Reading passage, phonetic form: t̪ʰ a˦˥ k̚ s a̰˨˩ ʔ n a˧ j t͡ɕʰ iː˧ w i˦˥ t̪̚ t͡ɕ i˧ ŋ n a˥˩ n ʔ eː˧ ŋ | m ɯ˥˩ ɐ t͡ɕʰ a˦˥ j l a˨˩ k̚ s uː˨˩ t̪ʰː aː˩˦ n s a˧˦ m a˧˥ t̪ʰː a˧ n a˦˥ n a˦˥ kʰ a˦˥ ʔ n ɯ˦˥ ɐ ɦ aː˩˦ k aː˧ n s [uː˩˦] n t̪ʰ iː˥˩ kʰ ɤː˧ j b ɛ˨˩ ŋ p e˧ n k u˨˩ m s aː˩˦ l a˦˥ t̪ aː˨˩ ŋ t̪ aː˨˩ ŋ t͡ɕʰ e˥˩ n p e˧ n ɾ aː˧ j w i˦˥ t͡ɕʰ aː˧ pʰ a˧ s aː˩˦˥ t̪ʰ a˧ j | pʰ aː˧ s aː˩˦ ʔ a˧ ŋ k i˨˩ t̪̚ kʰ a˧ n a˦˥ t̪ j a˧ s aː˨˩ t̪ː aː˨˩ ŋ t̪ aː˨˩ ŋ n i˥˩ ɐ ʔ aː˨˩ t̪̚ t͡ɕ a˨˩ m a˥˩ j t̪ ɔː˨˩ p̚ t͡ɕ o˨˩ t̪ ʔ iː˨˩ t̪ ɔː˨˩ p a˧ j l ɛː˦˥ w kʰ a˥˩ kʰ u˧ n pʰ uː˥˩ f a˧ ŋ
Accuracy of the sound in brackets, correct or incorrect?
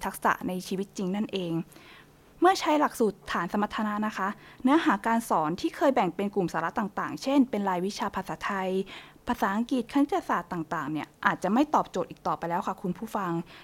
incorrect